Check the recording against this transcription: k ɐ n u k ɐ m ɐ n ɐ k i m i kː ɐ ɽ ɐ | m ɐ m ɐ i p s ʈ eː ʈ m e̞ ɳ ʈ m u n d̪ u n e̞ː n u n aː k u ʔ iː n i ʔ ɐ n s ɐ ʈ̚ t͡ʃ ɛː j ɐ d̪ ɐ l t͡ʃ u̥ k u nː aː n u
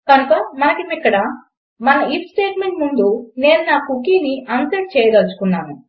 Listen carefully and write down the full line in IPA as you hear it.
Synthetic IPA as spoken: k ɐ n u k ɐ m ɐ n ɐ k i m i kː ɐ ɽ ɐ | m ɐ n ɐ i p s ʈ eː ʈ m e̞ ɳ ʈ m u n d̪ u n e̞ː n u n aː k u k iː n i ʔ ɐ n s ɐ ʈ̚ t͡ʃ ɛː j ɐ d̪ ɐ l t͡ʃ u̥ k u nː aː n u